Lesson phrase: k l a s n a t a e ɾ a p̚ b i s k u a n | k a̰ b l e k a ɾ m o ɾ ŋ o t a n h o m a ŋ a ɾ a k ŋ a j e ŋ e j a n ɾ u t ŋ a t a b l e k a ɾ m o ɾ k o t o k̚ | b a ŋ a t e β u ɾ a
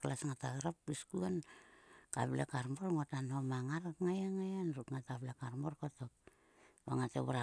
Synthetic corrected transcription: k l a s ŋ a t a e ɾ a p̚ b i s k u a n | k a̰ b l e k a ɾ m o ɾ ŋ o t a n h o m a ŋ a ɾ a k ŋ a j a ŋ a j a n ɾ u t ŋ a t a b l e k a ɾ m o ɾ k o t o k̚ | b a ŋ a t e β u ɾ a